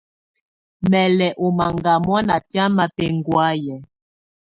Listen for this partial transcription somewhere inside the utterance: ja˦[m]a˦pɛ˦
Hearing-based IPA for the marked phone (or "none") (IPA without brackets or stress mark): m